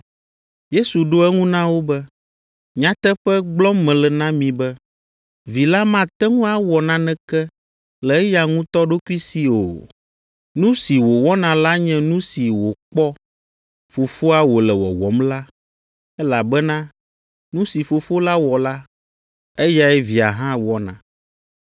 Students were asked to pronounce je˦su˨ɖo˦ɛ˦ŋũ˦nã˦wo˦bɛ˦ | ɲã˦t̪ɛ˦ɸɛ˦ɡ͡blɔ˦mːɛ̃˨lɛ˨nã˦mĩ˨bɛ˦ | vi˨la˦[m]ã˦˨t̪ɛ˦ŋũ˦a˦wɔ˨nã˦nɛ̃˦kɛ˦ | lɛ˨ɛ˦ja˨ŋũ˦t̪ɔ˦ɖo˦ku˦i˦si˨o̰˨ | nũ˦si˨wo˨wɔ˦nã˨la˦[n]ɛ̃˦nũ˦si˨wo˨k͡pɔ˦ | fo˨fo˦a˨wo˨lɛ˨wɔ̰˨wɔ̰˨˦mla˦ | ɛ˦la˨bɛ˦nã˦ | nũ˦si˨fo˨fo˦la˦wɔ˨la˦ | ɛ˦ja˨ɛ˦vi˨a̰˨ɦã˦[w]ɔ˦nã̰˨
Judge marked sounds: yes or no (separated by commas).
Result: yes, no, yes